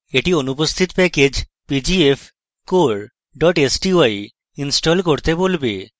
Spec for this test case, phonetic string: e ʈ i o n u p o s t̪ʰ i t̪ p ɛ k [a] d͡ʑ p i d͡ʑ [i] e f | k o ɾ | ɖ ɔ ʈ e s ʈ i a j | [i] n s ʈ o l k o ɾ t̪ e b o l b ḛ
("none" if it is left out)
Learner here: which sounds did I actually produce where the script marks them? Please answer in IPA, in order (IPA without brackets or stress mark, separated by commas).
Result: e, i, i